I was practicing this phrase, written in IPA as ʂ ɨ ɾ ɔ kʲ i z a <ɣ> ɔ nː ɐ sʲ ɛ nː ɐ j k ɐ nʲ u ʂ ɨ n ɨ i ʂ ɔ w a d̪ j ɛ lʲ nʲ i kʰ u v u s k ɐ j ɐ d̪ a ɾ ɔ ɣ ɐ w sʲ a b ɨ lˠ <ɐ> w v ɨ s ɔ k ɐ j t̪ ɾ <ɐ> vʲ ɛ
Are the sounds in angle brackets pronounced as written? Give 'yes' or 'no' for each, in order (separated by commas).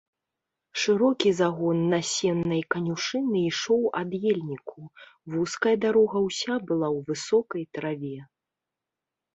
yes, no, no